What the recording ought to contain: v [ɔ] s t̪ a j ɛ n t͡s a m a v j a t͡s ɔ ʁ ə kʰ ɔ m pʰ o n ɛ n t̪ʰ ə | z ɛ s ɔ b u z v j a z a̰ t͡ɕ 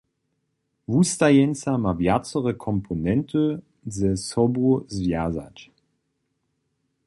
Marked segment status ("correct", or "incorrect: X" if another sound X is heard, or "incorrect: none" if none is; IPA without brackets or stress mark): incorrect: u